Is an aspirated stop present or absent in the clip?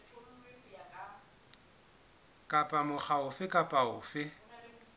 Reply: absent